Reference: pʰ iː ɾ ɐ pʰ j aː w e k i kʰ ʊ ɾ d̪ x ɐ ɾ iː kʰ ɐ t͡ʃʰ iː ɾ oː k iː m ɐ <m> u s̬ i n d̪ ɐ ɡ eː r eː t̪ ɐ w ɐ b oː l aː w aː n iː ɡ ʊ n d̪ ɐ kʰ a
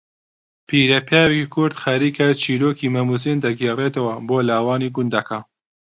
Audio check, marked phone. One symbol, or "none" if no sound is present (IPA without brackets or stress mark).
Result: m